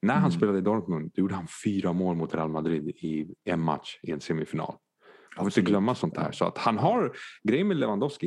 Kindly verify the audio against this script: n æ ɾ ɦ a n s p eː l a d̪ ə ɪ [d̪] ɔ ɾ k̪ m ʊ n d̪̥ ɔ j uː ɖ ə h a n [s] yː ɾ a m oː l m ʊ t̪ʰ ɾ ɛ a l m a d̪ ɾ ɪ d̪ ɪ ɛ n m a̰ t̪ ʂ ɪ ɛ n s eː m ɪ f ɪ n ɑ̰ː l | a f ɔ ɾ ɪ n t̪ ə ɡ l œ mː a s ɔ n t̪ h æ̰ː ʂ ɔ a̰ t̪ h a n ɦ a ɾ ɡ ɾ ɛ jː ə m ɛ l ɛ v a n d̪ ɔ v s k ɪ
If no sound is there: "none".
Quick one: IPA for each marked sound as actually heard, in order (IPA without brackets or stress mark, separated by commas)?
d̪, f